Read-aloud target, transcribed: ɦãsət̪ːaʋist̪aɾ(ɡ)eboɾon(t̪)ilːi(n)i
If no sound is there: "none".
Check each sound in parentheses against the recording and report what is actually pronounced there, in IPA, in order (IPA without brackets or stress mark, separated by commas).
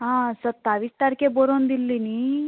k, d̪, n